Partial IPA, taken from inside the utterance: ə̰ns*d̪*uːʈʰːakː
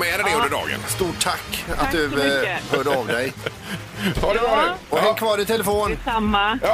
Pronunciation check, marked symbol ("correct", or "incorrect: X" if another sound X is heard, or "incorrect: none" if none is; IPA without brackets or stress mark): incorrect: t̪